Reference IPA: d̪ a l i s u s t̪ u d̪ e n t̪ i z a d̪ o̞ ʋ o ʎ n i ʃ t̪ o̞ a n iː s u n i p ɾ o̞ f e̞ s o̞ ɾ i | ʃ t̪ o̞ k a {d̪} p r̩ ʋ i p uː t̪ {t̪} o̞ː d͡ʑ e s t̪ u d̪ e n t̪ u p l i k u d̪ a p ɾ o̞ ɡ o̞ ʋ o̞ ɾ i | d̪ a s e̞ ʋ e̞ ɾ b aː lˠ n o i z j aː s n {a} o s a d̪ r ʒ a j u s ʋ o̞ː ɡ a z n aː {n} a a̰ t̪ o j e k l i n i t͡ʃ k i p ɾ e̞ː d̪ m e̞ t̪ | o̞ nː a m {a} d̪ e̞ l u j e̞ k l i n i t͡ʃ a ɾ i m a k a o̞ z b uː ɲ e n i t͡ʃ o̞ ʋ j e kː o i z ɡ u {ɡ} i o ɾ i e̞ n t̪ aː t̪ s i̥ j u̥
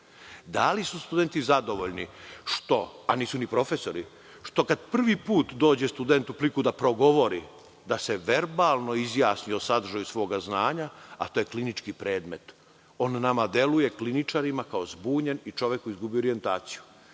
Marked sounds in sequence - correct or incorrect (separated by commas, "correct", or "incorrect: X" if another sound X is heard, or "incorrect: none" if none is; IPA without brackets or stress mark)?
correct, incorrect: d̪, incorrect: i, incorrect: ɲ, correct, incorrect: b